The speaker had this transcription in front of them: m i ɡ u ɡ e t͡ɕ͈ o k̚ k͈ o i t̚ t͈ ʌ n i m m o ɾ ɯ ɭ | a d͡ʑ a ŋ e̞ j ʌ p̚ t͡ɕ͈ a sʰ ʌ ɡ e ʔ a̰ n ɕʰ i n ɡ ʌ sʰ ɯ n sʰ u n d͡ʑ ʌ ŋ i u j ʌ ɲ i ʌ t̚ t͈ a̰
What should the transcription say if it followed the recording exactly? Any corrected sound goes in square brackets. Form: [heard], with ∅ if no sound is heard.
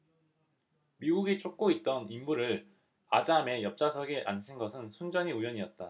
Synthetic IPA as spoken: m i ɡ u ɡ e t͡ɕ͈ o k̚ k͈ o i t̚ t͈ ʌ n i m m [u] ɾ ɯ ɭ | a d͡ʑ a [m] e̞ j ʌ p̚ t͡ɕ͈ a sʰ ʌ ɡ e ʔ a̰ n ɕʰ i n ɡ ʌ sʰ ɯ n sʰ u n d͡ʑ ʌ [ɲ] i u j ʌ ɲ i ʌ t̚ t͈ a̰